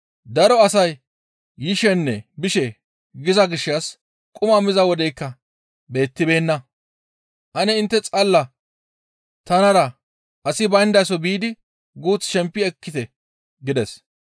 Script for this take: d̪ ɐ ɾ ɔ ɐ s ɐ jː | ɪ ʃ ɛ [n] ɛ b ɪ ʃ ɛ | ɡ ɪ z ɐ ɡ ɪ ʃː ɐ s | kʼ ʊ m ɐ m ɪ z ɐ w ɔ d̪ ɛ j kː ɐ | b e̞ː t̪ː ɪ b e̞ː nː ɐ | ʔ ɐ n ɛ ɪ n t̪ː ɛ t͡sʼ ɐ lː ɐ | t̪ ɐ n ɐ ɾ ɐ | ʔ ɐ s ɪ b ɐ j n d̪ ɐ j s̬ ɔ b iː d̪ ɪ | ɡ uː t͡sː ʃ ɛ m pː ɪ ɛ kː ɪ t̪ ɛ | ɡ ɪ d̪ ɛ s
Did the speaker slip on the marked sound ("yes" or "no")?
yes